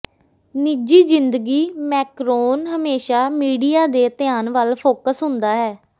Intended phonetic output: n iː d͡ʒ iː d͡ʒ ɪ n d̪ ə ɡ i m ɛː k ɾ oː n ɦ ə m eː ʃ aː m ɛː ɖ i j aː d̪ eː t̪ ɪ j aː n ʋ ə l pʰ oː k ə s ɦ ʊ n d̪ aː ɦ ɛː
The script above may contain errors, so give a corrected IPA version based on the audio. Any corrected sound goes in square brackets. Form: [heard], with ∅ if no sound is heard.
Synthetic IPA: n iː d͡ʒ iː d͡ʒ ɪ n d̪ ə ɡ [iː] m ɛː k ɾ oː n ɦ ə m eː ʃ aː m [iː] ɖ i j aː d̪ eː t̪ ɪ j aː n ʋ ə l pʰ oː k ə s ɦ ʊ n d̪ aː ɦ ɛː